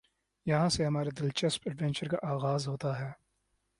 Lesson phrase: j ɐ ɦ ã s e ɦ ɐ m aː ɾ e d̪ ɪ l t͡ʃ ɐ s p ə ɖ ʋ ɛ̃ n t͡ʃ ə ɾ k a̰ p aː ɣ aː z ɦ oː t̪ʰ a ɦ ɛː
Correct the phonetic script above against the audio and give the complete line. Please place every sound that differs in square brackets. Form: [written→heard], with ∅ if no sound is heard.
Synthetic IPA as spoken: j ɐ ɦ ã s e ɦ ɐ m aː ɾ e d̪ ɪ l t͡ʃ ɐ s p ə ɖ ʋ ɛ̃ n t͡ʃ ə ɾ k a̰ [p→ʔ] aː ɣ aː z ɦ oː [t̪ʰ→t̪] a ɦ ɛː